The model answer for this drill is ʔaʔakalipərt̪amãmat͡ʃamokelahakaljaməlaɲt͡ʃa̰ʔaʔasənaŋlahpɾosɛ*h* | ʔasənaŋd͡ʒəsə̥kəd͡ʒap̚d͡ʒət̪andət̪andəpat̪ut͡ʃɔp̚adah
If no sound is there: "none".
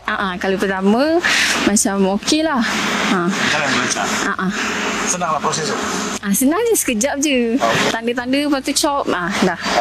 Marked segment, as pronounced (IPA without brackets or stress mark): s